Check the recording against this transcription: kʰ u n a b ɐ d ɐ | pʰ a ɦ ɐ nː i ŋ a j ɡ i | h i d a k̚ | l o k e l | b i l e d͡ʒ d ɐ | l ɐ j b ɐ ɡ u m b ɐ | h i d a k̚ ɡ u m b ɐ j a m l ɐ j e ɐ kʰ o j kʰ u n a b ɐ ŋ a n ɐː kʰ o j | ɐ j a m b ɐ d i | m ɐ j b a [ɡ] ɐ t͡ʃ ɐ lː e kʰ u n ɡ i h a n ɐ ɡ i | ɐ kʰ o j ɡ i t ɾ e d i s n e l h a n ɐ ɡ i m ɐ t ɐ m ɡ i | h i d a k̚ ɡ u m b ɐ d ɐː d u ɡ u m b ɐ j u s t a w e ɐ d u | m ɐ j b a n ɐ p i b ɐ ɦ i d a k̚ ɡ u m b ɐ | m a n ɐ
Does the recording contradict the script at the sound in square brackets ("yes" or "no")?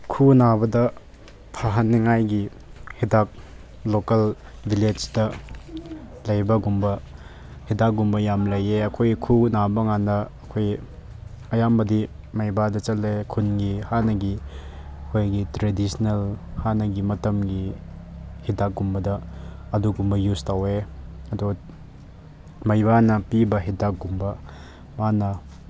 yes